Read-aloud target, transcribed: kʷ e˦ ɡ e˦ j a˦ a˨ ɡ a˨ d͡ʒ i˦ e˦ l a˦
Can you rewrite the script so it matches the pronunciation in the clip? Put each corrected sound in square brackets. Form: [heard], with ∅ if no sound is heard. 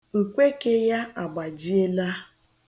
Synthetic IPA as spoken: kʷ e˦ [k] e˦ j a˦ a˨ [ɡ͡b] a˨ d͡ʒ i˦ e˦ l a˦